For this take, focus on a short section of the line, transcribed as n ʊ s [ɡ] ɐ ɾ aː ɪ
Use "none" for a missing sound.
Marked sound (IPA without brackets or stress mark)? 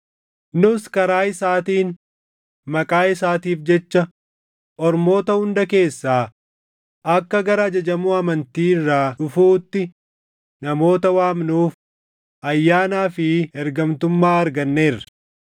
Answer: k